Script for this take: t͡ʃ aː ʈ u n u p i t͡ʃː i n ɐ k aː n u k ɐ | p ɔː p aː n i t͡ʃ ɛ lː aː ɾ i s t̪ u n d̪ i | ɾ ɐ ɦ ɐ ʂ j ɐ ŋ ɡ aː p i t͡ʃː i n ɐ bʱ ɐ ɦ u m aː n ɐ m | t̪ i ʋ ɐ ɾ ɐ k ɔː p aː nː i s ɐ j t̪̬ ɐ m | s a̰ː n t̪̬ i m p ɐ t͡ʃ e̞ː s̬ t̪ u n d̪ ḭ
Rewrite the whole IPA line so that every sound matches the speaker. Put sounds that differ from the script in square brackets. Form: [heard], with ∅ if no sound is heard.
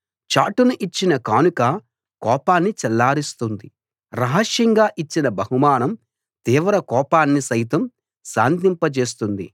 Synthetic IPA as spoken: t͡ʃ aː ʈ u n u [ʔ] i t͡ʃː i n ɐ k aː n u k ɐ | [k] ɔː p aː [nː] i t͡ʃ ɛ lː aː ɾ i s t̪ u n d̪ i | ɾ ɐ ɦ ɐ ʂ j ɐ ŋ ɡ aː [ʔ] i t͡ʃː i n ɐ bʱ ɐ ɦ u m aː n ɐ m | t̪ [iː] ʋ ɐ ɾ ɐ k ɔː p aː nː i s ɐ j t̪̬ ɐ m | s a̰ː n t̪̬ i m p ɐ t͡ʃ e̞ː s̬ t̪ u n d̪ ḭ

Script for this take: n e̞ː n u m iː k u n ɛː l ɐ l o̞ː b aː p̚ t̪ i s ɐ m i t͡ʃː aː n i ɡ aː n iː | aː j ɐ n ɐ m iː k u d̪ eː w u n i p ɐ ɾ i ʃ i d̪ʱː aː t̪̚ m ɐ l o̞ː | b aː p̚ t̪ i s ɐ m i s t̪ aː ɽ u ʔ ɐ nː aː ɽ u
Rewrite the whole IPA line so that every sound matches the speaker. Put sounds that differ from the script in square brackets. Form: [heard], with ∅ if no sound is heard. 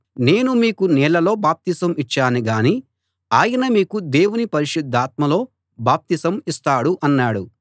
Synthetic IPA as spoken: n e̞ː n u m iː k u n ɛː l ɐ l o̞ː b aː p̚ t̪ i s ɐ m i t͡ʃː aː n i ɡ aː n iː | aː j ɐ n ɐ m iː k u d̪ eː w u n i p ɐ ɾ i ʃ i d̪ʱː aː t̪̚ m ɐ l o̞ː | b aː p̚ t̪ i s ɐ m i s t̪ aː ɽ u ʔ ɐ nː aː ɽ u

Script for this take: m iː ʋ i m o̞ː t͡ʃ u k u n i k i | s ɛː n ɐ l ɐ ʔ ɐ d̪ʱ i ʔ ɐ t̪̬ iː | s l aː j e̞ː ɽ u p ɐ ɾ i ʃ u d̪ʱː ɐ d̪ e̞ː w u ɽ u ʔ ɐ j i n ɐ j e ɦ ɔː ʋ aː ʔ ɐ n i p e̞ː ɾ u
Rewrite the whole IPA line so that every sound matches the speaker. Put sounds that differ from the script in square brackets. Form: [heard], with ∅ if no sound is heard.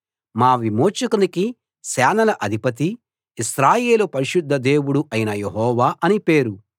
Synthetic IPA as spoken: m [aː] ʋ i m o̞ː t͡ʃ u k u n i k i | s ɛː n ɐ l ɐ ʔ ɐ d̪ʱ i [p] ɐ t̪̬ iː | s [ɾ] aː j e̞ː [l] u p ɐ ɾ i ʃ u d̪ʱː ɐ d̪ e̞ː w u ɽ u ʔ ɐ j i n ɐ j e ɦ ɔː ʋ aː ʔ ɐ n i p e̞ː ɾ u

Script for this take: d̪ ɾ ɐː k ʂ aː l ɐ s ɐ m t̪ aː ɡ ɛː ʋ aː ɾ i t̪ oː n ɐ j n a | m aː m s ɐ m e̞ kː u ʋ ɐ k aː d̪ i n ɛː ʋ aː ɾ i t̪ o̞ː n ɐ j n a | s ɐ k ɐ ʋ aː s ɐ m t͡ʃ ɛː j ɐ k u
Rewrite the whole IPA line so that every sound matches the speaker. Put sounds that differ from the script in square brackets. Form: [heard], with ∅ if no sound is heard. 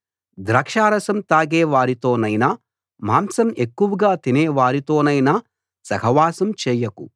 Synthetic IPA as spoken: d̪ ɾ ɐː k ʂ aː [ɾ] ɐ s ɐ m t̪ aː ɡ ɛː ʋ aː ɾ i t̪ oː n ɐ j n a | m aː m s ɐ m e̞ kː u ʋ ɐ [ɡ] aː [t̪] i n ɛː ʋ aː ɾ i t̪ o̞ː n ɐ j n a | s ɐ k ɐ ʋ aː s ɐ m t͡ʃ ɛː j ɐ k u

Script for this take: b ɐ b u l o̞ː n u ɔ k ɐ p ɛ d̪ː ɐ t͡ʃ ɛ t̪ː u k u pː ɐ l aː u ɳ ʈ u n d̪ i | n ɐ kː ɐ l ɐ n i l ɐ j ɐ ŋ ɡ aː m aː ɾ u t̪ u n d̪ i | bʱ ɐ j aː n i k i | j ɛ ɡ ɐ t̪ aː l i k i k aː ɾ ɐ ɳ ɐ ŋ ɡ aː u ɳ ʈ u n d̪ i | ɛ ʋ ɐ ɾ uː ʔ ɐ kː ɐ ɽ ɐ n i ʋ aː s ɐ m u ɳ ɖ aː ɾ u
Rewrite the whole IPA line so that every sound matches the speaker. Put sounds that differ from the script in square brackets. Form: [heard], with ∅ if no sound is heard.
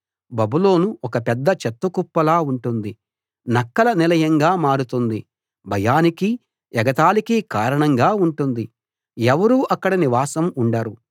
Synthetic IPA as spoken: b ɐ b u l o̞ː n u ɔ k ɐ p ɛ d̪ː ɐ t͡ʃ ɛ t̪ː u k u pː ɐ l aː u ɳ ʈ u n d̪ i | n ɐ kː ɐ l ɐ n i l ɐ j ɐ ŋ ɡ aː m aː ɾ u t̪ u n d̪ i | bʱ ɐ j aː n i k i | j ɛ ɡ ɐ t̪ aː l i k i k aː ɾ ɐ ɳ ɐ ŋ ɡ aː u ɳ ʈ u n d̪ i | ɛ ʋ ɐ ɾ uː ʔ ɐ kː ɐ ɽ ɐ n i ʋ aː s ɐ m u ɳ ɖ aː ɾ u

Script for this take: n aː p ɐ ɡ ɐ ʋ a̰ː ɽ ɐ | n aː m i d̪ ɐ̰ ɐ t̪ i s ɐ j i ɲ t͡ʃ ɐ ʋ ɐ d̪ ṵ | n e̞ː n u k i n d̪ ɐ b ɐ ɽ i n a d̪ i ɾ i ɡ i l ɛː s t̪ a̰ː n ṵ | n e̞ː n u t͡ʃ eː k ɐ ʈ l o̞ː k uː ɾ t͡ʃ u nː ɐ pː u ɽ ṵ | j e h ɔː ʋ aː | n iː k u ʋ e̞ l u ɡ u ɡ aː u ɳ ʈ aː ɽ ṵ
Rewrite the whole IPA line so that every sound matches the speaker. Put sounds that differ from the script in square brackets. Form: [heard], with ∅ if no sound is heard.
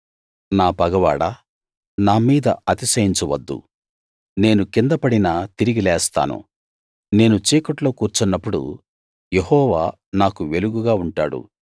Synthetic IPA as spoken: n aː p ɐ ɡ ɐ ʋ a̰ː ɽ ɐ | n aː m [iː] d̪ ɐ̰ ɐ t̪ i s ɐ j i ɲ t͡ʃ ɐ ʋ ɐ [d̪ː] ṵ | n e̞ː n u k i n d̪ ɐ [p] ɐ ɽ i n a [t̪] i ɾ i ɡ i l ɛː s t̪ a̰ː n ṵ | n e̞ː n u t͡ʃ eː k ɐ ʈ l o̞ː k uː ɾ t͡ʃ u nː ɐ pː u ɽ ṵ | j e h ɔː ʋ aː | n [aː] k u ʋ e̞ l u ɡ u ɡ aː u ɳ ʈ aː ɽ ṵ

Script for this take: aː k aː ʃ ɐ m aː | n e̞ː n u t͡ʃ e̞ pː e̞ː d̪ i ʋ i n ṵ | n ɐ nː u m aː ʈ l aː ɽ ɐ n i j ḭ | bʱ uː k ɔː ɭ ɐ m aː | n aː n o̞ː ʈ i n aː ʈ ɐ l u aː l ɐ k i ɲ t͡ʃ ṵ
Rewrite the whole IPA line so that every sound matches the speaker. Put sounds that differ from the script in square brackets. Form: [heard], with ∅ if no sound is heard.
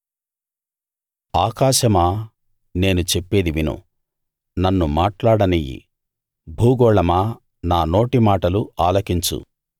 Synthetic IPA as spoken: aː k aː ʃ ɐ m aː | n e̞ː n u t͡ʃ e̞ pː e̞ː d̪ i ʋ i n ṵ | n ɐ nː u m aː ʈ l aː ɽ ɐ n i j ḭ | bʱ uː [ɡ] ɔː ɭ ɐ m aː | n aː n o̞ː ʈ i [m] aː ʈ ɐ l u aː l ɐ k i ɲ t͡ʃ ṵ

